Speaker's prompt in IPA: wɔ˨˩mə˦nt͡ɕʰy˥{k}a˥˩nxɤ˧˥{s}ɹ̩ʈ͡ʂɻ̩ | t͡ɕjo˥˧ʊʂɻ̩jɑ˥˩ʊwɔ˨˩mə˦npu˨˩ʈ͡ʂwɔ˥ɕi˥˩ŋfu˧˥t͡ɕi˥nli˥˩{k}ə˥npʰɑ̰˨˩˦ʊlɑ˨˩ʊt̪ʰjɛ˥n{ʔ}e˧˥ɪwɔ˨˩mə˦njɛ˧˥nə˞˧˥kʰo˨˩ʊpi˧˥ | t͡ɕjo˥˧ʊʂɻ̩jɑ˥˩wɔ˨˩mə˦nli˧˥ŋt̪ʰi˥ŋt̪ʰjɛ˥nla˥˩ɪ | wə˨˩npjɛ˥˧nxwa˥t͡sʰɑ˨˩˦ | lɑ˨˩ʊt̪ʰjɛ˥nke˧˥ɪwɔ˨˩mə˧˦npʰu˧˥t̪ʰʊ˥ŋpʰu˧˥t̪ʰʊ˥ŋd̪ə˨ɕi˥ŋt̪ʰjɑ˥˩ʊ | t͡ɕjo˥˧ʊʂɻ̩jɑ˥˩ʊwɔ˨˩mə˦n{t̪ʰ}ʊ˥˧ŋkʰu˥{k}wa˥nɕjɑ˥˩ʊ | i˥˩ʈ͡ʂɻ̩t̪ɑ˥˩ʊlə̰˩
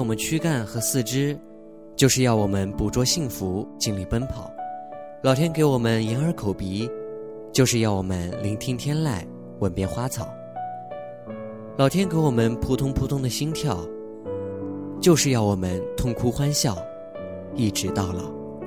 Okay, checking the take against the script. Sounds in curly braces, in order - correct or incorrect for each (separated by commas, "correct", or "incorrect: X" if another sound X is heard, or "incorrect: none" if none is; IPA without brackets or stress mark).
correct, correct, incorrect: p, incorrect: k, correct, incorrect: x